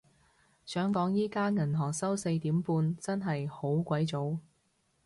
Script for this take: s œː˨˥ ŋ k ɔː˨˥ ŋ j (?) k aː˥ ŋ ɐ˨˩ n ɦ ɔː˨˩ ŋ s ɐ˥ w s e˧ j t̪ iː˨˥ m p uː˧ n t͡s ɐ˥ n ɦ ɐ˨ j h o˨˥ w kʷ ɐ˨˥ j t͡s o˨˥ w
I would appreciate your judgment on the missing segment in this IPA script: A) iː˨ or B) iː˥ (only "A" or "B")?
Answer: B